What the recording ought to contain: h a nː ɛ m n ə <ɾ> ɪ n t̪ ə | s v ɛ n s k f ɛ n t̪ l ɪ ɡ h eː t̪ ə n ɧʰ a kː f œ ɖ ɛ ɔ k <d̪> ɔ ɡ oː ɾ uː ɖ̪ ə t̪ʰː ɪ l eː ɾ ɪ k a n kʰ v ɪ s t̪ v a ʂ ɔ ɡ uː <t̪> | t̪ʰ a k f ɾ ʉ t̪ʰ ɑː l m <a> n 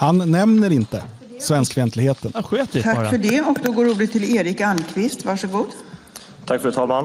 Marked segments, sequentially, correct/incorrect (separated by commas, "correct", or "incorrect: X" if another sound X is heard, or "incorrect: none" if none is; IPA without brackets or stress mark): correct, correct, incorrect: d̪, correct